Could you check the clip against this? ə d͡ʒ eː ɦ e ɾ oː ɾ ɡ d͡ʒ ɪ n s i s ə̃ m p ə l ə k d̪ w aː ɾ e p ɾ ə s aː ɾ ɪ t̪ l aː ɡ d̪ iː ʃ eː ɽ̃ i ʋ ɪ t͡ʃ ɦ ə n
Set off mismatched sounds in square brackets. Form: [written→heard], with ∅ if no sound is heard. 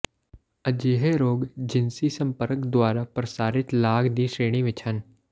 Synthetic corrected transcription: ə d͡ʒ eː ɦ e ɾ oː [ɾ→∅] ɡ d͡ʒ ɪ n s i s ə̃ m p ə [l→ɾ] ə k d̪ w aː ɾ [e→a] p ɾ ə s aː ɾ ɪ t̪ l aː ɡ d̪ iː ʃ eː ɽ̃ i ʋ ɪ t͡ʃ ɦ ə n